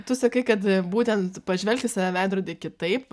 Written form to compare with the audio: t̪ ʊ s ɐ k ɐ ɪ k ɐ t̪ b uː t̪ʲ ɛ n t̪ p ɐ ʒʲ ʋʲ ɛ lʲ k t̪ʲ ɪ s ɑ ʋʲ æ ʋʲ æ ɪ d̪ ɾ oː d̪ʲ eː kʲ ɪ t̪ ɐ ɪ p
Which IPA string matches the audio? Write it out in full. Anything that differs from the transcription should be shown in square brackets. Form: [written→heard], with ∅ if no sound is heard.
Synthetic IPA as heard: t̪ ʊ s ɐ k ɐ ɪ k ɐ t̪ b uː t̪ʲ ɛ n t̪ p ɐ ʒʲ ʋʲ ɛ lʲ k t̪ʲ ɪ s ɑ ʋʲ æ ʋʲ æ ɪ d̪ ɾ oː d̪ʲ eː kʲ ɪ t̪ ɐ ɪ p